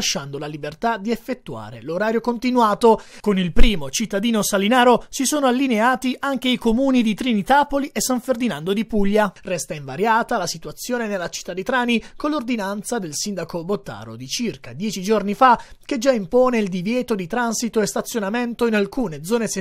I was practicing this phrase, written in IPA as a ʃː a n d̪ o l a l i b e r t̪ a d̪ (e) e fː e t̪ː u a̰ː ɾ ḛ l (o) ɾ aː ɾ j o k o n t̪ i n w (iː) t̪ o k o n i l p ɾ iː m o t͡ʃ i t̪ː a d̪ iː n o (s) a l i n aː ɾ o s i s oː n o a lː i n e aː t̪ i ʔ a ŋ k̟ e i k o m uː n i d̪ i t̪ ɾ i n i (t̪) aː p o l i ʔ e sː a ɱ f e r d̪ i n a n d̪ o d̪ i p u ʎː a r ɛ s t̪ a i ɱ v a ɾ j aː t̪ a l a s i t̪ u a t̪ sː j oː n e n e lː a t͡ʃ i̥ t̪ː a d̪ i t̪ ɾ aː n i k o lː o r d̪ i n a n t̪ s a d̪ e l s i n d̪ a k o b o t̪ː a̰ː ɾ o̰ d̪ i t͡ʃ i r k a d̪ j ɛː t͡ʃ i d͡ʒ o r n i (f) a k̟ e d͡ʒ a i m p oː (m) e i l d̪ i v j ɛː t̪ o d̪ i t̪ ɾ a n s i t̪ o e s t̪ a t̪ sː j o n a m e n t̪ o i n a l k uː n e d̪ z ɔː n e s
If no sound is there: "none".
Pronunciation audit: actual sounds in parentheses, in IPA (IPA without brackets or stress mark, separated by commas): i, o, aː, s, t̪, f, n